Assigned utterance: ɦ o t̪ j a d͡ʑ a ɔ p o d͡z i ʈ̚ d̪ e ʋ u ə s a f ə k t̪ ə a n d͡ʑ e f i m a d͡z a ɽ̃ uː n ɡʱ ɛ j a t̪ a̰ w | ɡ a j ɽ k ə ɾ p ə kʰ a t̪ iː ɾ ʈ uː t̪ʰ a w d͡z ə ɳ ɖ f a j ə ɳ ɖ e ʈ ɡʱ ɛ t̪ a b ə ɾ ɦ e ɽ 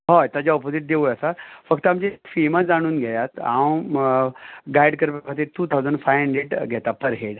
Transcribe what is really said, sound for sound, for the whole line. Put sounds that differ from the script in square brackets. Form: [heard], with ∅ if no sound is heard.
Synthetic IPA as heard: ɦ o t̪ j a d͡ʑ a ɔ p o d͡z i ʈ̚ d̪ e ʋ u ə s a f ə k t̪ ə a [m] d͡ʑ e f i m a d͡z a ɽ̃ uː n ɡʱ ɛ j a t̪ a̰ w | ɡ a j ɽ k ə ɾ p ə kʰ a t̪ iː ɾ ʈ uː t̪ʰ a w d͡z ə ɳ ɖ f a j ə ɳ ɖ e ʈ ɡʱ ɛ t̪ a [p] ə ɾ ɦ e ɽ